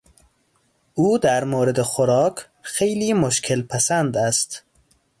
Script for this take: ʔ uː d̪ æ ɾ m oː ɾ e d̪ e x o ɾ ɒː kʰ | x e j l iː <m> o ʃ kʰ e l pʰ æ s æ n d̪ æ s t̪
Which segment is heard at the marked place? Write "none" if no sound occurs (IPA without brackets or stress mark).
m